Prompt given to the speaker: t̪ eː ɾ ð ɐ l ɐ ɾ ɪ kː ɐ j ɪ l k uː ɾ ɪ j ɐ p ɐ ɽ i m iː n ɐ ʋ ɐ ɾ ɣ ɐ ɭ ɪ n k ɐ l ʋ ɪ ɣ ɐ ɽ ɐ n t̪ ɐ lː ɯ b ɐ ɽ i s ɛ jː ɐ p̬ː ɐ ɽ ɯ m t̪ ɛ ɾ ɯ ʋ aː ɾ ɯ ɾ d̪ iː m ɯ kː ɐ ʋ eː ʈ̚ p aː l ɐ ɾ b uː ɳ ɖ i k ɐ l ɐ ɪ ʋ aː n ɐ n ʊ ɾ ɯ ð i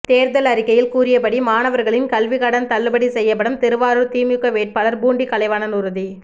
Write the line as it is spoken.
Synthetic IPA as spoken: t̪ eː ɾ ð ɐ l ɐ ɾ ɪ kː ɐ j ɪ l k uː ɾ ɪ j ɐ p ɐ ɽ i m aː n ɐ ʋ ɐ ɾ ɣ ɐ ɭ ɪ n k ɐ l ʋ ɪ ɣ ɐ ɽ ɐ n t̪ ɐ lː ɯ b ɐ ɽ i s ɛ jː ɐ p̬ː ɐ ɽ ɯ m t̪ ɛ ɾ ɯ ʋ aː ɾ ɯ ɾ t̪ iː m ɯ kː ɐ ʋ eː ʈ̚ p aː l ɐ ɾ b uː ɳ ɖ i k ɐ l ɐ ɪ ʋ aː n ɐ n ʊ ɾ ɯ ð i